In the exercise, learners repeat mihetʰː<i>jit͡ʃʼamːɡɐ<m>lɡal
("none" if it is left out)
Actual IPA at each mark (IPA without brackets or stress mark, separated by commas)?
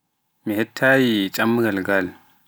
a, none